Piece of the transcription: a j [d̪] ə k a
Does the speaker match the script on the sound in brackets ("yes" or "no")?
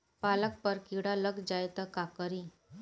no